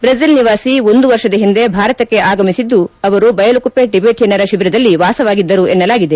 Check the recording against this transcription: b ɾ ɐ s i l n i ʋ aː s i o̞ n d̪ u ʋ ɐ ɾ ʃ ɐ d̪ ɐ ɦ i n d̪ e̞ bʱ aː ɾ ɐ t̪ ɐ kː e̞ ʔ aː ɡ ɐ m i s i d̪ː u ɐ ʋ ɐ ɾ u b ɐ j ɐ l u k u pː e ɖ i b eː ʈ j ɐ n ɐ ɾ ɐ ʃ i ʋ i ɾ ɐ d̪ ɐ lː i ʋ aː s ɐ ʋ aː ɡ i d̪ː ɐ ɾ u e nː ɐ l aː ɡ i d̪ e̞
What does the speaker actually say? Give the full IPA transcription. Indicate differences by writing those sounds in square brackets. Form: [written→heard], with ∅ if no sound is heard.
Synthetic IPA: b ɾ ɐ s i l n i ʋ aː s i o̞ n d̪ u ʋ ɐ ɾ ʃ ɐ d̪ ɐ ɦ i n d̪ e̞ bʱ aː ɾ ɐ t̪ ɐ kː e̞ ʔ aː ɡ ɐ m i s i d̪ː u ɐ ʋ ɐ ɾ u b ɐ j ɐ l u k u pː e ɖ i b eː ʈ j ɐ n ɐ ɾ ɐ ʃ i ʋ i ɾ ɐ d̪ ɐ lː i ʋ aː s ɐ ʋ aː ɡ i d̪ː ɐ ɾ u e nː ɐ l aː ɡ i d̪ e̞

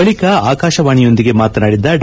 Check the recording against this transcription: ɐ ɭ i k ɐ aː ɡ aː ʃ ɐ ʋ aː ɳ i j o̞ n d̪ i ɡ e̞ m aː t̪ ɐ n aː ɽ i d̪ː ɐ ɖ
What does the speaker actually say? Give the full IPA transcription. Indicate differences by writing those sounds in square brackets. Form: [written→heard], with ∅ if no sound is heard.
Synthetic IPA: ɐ ɭ i k ɐ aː [ɡ→k] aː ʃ ɐ ʋ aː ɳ i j o̞ n d̪ i ɡ e̞ m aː t̪ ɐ n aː ɽ i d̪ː ɐ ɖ

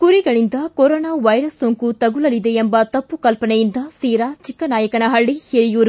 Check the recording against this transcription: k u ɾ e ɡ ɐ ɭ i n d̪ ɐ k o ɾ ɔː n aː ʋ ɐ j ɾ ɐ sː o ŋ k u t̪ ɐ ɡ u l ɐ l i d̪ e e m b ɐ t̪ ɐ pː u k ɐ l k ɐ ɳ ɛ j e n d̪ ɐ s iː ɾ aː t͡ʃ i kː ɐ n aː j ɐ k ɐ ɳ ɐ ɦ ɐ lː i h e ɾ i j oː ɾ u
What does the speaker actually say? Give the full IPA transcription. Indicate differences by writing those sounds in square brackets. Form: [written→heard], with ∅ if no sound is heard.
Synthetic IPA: k u ɾ [e→i] ɡ ɐ ɭ i n d̪ ɐ k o ɾ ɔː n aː ʋ ɐ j ɾ ɐ sː o ŋ k u t̪ ɐ ɡ u l ɐ l i d̪ e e m b ɐ t̪ ɐ pː u k ɐ l [k→p] ɐ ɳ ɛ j [e→i] n d̪ ɐ s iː ɾ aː t͡ʃ i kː ɐ n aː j ɐ k ɐ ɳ ɐ ɦ ɐ [lː→ɭː] i h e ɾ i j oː ɾ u

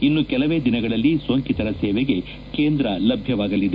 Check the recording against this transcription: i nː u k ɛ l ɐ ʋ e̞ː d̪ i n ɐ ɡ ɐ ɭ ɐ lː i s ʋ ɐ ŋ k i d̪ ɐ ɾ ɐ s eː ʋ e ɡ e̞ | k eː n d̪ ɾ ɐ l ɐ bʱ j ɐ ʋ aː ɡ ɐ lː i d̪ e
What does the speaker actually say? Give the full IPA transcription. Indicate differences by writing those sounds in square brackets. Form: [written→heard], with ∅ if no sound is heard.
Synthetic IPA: i nː u k ɛ l ɐ ʋ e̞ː d̪ i n ɐ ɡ ɐ ɭ ɐ lː i s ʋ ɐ ŋ k i [d̪→t̪] ɐ ɾ ɐ s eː ʋ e ɡ e̞ | k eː n d̪ ɾ ɐ l ɐ bʱ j ɐ ʋ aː ɡ ɐ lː i d̪ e

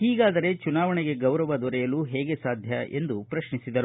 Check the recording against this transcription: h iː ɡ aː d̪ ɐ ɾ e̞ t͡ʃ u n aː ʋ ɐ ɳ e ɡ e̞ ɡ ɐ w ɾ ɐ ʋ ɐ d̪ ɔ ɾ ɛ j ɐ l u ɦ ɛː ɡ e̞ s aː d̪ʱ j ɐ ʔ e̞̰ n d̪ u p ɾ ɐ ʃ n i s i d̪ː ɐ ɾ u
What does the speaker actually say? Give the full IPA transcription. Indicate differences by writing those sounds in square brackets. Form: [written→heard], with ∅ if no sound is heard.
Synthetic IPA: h iː ɡ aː d̪ ɐ ɾ e̞ t͡ʃ u n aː ʋ ɐ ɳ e ɡ e̞ ɡ ɐ w ɾ ɐ ʋ ɐ d̪ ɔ ɾ ɛ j ɐ l u ɦ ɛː ɡ e̞ s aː d̪ʱ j ɐ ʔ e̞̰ n d̪ u p ɾ ɐ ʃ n i s i [d̪ː→d̪] ɐ ɾ u

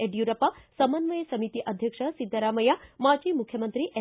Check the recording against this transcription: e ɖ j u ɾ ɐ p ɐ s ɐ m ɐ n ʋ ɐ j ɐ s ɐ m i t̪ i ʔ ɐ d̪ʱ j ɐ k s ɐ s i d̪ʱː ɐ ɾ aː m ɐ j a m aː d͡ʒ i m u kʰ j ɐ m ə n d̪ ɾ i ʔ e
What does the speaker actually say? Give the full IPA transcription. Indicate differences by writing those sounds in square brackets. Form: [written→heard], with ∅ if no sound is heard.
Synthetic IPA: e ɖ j u ɾ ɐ p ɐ s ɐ m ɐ n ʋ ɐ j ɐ s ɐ m i t̪ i ʔ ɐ d̪ʱ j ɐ k [s→ʂ] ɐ s i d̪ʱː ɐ ɾ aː m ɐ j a m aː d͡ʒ i m u kʰ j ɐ m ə n [d̪→t̪] ɾ i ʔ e

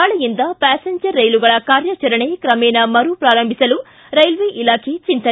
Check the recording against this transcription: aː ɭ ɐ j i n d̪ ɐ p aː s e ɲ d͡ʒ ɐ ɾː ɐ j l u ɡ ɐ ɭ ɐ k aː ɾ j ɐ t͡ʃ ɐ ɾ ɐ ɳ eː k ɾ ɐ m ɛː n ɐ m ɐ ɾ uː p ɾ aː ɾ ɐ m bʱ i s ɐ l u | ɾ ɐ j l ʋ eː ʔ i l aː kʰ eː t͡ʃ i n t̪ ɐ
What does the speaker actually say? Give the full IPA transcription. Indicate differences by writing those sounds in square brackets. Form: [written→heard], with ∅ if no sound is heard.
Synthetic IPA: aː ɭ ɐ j i n d̪ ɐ p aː s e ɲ d͡ʒ ɐ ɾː ɐ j l u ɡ ɐ ɭ ɐ k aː ɾ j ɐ t͡ʃ ɐ ɾ ɐ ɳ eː k ɾ ɐ m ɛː n ɐ m ɐ ɾ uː p ɾ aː ɾ ɐ m bʱ i s ɐ l u | ɾ ɐ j l ʋ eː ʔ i l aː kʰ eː t͡ʃ i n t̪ ɐ

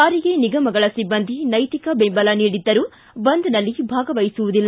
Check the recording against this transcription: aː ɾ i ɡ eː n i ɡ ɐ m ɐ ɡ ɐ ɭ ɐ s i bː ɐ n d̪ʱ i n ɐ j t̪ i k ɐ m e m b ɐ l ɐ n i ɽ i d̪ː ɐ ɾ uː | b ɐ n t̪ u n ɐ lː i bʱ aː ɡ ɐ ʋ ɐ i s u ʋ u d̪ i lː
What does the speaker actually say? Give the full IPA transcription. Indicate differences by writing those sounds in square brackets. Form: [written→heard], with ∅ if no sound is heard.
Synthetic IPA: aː ɾ i ɡ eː n i ɡ ɐ m ɐ ɡ ɐ ɭ ɐ s i bː ɐ n d̪ʱ i n ɐ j t̪ i k ɐ [m→b] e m b ɐ l ɐ n [i→iː] ɽ i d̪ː ɐ ɾ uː | b ɐ n [t̪→d̪] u n ɐ lː i bʱ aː ɡ ɐ ʋ ɐ [i→j] s u ʋ u d̪ i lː

